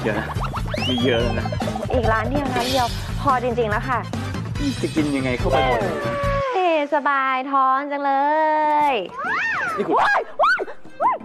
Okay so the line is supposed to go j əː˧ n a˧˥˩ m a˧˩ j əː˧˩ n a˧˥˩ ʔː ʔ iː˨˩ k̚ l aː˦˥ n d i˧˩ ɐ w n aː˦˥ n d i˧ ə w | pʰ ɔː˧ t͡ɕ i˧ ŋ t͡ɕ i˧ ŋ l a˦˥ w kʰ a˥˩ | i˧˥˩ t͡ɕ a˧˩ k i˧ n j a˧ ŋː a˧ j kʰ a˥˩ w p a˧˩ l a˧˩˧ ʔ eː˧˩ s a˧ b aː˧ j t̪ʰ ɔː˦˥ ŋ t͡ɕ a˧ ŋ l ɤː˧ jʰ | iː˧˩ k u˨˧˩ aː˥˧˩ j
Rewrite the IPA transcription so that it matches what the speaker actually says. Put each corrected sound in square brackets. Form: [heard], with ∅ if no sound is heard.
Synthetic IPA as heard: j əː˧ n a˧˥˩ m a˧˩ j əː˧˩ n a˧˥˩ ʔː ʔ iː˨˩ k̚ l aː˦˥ n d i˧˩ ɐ w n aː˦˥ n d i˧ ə w | pʰ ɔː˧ t͡ɕ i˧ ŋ t͡ɕ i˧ ŋ l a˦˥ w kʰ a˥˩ | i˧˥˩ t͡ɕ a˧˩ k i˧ n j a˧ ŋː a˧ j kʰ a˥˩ w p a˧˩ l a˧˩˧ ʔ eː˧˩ s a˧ b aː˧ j t̪ʰ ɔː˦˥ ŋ t͡ɕ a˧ ŋ l ɤː˧ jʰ | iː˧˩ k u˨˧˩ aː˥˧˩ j